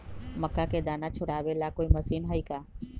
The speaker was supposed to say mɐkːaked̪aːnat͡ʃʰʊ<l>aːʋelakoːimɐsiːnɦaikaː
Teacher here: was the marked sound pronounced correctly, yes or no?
no